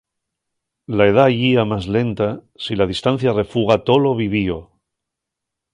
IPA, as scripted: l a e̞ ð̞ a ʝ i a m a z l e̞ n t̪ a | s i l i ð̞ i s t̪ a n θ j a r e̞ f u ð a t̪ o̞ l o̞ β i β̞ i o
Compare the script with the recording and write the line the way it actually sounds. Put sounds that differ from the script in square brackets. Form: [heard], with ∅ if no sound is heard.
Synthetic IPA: l a e̞ ð̞ a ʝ i a m a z l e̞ n t̪ a | s i l [a] ð̞ i s t̪ a n θ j a r e̞ f u [ɣ] a t̪ o̞ l o̞ β i β̞ i o

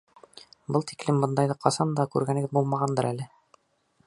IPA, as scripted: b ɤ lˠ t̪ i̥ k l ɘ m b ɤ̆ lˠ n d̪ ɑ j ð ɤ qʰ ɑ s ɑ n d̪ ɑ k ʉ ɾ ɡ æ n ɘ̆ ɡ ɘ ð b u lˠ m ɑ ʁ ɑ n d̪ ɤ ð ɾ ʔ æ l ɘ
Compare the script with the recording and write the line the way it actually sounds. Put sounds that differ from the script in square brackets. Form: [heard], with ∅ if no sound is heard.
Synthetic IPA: b ɤ lˠ t̪ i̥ k l ɘ m b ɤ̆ [∅] n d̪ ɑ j ð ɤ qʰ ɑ s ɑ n d̪ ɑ k ʉ ɾ ɡ æ n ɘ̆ ɡ ɘ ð b u lˠ m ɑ ʁ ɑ n d̪ ɤ [∅] ɾ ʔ æ l ɘ

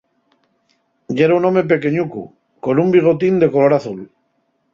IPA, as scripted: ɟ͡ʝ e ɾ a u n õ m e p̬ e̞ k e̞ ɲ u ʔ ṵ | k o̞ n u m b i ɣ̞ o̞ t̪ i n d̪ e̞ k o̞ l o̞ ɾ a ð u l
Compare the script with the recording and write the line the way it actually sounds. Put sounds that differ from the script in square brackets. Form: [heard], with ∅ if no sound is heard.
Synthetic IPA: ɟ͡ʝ e ɾ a u n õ m e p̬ e̞ k e̞ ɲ u [k] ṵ | k o̞ n u m b i ɣ̞ o̞ t̪ i n d̪ e̞ k o̞ l o̞ ɾ a [θ] u l

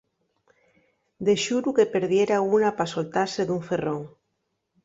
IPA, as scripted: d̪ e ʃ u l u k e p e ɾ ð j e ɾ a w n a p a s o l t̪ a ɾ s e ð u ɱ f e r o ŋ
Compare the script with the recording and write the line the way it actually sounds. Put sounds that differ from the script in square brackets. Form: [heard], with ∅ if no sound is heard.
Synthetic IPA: d̪ e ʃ u [ɾ] u k e p e ɾ ð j e ɾ a [u] n a p a s o l t̪ a ɾ s e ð u ɱ f e r o ŋ

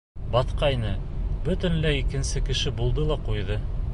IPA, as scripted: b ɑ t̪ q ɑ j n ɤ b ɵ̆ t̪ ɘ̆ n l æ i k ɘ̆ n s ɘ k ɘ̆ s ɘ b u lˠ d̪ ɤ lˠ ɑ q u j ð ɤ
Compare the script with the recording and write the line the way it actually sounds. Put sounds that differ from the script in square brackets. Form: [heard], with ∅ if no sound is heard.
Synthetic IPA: b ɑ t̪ q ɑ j n ɤ b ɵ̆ t̪ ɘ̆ n l æ i k ɘ̆ n s ɘ k ɘ̆ [ʃ] ɘ b u lˠ d̪ ɤ lˠ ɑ q u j ð ɤ

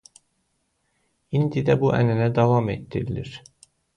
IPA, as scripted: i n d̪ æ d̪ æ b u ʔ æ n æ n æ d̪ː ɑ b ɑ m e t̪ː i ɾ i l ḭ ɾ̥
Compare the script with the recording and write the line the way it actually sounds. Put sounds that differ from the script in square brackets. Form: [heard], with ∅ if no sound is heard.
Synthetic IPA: i n d̪ [i] d̪ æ b u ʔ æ n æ n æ [d̪] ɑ [v] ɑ m e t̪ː i ɾ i l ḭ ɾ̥

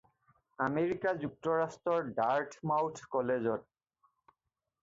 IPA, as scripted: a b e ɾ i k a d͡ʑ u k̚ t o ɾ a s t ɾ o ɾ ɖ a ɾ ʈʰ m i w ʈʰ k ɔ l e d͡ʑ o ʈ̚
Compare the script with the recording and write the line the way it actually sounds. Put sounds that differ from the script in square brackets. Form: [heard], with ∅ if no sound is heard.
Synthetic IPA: a [m] e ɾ i k a d͡ʑ u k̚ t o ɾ a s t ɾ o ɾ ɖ a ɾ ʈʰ m [a] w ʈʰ k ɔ l e d͡ʑ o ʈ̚

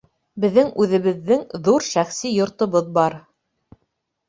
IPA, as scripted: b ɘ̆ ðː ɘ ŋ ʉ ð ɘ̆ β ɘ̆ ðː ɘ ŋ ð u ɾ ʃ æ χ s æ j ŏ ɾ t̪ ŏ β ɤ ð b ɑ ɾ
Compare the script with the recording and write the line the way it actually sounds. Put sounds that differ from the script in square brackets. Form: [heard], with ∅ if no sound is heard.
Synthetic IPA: b ɘ̆ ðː ɘ ŋ ʉ ð ɘ̆ β ɘ̆ ðː ɘ ŋ ð u ɾ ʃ æ χ s [i] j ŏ ɾ t̪ ŏ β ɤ ð b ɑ ɾ

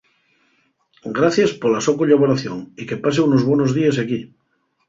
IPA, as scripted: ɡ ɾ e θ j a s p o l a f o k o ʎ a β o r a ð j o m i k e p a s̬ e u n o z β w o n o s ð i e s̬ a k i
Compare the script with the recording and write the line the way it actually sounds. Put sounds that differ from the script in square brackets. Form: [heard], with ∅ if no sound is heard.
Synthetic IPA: ɡ ɾ [a] θ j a s p o l a [s] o k o ʎ a β o [ɾ] a [θ] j o [ŋ] i k e p a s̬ e u n o z β w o n o [z] ð i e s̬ a k i

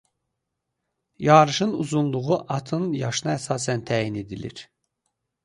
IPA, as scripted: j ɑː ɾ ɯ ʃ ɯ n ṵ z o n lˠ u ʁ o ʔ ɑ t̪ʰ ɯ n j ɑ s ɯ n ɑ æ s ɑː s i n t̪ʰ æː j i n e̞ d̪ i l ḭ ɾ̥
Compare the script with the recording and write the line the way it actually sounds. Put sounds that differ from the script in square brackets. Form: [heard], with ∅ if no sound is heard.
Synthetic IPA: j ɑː ɾ ɯ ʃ ɯ n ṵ z [u] n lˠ u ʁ [u] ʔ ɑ t̪ʰ ɯ n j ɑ [ʃ] ɯ n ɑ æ s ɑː s [æ] n t̪ʰ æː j i n e̞ d̪ i l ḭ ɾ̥

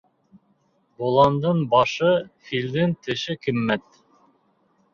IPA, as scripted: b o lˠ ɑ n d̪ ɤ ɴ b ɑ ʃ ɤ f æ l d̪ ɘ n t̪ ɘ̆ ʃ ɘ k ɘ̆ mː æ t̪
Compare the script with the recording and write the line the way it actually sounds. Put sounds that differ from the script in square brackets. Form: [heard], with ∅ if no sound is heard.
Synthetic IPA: b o lˠ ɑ n d̪ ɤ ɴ b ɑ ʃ ɤ f [i] l d̪ ɘ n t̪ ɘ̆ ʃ ɘ k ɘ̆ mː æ t̪

